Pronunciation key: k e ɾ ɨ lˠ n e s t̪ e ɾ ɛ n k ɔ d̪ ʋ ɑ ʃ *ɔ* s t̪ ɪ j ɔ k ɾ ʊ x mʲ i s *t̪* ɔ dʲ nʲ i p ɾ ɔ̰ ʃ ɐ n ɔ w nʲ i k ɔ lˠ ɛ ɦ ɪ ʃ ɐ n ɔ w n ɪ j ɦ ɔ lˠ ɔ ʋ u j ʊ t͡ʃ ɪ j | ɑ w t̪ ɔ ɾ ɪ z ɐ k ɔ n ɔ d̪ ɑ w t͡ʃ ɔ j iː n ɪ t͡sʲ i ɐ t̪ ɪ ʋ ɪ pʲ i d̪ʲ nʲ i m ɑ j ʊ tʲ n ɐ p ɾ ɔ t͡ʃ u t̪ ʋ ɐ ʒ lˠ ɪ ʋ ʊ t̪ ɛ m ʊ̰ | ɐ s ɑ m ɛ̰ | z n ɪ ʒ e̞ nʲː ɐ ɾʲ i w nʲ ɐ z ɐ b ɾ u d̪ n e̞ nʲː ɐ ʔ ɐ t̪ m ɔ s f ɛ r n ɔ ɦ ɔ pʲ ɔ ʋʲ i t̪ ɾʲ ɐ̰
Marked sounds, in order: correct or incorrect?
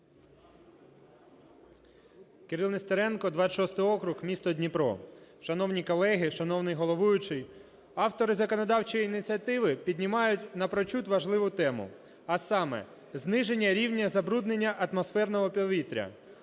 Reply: correct, correct

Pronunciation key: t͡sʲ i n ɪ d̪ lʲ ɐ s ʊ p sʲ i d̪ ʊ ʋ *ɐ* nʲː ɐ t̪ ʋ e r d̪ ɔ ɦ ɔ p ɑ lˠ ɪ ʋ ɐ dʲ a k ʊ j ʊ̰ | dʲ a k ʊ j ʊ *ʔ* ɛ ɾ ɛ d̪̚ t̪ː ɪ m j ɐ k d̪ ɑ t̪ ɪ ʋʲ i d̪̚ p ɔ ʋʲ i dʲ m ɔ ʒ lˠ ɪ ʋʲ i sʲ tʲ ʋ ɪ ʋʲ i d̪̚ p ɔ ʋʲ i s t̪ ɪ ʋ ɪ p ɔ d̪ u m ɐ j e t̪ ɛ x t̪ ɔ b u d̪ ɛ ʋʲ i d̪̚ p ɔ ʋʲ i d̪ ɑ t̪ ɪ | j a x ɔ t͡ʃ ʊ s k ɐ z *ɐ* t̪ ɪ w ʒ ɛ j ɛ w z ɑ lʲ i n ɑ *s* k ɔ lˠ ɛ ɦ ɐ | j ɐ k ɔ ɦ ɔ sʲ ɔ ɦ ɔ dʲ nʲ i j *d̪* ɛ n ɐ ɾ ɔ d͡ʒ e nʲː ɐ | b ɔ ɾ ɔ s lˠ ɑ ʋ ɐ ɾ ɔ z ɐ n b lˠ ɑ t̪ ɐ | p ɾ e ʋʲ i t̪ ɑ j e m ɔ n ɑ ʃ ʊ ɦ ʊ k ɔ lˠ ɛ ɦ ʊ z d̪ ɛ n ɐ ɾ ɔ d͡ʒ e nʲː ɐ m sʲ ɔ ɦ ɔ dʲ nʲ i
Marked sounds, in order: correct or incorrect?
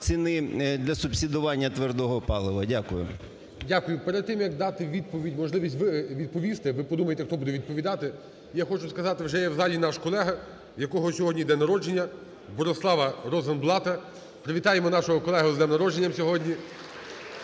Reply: incorrect: ɑ, incorrect: p, incorrect: ɑ, incorrect: ʃ, correct

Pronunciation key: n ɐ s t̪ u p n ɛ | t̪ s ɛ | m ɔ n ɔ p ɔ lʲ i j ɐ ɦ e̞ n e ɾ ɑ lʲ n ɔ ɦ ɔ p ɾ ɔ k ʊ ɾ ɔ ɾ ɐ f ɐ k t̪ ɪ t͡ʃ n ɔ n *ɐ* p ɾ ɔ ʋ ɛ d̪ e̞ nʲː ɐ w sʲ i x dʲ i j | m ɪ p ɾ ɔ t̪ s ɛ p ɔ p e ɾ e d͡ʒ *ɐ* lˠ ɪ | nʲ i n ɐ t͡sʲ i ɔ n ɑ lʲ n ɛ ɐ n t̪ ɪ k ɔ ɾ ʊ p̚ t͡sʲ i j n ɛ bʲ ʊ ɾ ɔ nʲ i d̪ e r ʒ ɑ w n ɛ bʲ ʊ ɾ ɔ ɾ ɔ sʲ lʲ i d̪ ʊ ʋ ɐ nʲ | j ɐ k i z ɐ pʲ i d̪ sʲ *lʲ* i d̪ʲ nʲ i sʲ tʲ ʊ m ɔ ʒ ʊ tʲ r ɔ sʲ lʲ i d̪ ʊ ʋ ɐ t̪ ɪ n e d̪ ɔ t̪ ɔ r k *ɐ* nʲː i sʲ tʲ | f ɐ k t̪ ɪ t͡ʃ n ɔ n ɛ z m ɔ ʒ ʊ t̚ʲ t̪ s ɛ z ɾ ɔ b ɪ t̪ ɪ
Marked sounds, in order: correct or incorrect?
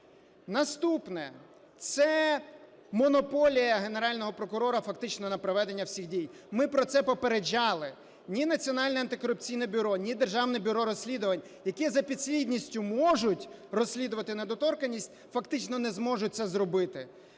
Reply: correct, incorrect: ɑ, correct, correct

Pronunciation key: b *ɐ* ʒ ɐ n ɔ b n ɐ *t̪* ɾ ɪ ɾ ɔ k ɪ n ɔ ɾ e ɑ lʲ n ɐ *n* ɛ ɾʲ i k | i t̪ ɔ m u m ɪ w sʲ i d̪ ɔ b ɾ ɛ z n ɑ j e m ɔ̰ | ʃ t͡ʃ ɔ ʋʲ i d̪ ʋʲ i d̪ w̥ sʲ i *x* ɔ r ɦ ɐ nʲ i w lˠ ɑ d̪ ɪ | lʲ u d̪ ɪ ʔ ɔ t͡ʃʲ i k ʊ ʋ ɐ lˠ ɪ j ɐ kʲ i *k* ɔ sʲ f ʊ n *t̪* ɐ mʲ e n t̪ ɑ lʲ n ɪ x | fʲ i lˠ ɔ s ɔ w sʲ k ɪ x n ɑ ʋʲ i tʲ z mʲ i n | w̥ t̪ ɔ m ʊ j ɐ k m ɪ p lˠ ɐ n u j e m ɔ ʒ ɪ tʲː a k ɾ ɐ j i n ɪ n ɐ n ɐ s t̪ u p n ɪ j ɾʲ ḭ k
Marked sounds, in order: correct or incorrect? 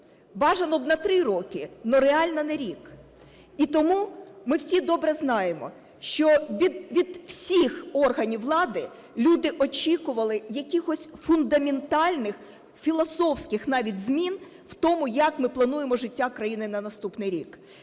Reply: incorrect: ɑ, correct, correct, correct, incorrect: x, incorrect: d̪

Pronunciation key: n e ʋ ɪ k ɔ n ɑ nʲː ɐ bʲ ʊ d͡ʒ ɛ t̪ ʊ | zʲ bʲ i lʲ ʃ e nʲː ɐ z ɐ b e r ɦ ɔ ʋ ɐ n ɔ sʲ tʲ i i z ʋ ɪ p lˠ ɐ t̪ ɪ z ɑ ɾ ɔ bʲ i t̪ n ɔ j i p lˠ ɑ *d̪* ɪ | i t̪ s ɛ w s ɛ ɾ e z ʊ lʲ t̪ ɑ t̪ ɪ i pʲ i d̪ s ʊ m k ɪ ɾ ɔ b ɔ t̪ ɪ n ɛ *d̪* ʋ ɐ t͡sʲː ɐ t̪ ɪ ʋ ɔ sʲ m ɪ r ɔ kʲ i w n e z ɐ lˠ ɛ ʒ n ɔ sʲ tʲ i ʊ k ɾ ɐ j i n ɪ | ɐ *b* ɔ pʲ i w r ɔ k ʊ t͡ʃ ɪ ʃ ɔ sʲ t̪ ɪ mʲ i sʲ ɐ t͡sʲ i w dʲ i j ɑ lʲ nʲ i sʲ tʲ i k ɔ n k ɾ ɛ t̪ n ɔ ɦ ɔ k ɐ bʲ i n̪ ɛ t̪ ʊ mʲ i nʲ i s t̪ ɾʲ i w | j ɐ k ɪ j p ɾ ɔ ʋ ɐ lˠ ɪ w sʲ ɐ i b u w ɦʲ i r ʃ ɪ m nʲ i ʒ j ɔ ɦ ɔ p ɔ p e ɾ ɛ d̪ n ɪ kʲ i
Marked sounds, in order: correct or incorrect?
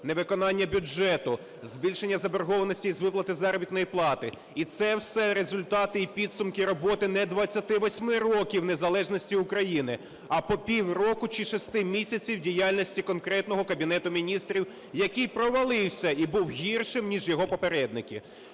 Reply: incorrect: t̪, correct, incorrect: p

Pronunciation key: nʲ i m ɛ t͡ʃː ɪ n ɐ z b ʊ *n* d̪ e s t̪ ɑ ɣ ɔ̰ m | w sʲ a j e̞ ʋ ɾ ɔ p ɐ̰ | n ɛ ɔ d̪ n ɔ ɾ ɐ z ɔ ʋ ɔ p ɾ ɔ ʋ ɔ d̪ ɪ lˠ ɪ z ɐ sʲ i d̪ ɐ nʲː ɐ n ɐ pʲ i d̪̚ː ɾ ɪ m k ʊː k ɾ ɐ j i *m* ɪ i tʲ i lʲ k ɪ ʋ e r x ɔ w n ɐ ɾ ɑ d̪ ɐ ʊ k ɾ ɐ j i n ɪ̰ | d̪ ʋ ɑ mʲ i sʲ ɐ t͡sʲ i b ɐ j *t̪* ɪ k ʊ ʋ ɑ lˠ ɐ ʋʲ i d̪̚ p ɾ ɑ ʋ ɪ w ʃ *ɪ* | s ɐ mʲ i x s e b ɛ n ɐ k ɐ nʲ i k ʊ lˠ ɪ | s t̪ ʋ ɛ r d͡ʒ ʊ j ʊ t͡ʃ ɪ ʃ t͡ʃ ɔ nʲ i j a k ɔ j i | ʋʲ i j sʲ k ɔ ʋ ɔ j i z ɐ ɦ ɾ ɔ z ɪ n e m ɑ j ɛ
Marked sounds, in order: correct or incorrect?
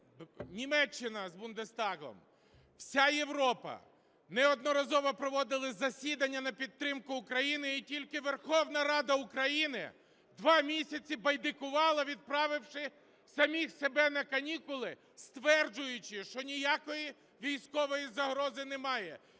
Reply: correct, incorrect: n, incorrect: d̪, correct

